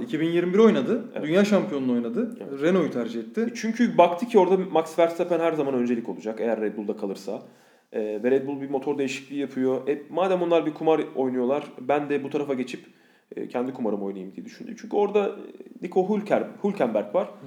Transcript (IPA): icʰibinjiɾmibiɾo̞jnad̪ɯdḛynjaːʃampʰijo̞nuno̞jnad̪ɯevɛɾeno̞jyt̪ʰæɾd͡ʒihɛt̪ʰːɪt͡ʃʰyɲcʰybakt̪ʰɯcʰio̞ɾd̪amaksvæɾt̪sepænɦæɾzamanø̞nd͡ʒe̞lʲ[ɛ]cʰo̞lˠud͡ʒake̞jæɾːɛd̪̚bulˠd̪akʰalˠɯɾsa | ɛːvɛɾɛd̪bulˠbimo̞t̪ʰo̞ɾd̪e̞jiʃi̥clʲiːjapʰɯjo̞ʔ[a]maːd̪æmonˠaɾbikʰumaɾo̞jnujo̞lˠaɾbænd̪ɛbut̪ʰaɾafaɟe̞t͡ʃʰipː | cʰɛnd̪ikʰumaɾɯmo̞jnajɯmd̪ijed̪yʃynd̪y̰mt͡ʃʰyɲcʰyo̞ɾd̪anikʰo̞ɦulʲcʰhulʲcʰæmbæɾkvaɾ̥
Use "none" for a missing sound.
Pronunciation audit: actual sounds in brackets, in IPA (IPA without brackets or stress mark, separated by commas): i, ɛ